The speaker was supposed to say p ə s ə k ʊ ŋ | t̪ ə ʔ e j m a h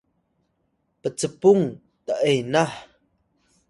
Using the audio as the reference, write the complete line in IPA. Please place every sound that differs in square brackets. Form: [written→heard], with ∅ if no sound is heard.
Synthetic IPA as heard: p ə [s→t͡s] ə [k→p] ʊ ŋ | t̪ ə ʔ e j [m→n] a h